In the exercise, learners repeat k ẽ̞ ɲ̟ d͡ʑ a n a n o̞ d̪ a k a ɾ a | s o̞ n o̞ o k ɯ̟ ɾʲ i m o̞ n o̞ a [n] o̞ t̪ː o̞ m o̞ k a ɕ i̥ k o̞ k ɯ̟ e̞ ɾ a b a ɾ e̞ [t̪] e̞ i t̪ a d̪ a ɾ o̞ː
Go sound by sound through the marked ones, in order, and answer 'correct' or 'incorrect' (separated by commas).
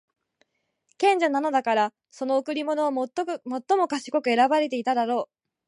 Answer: incorrect, correct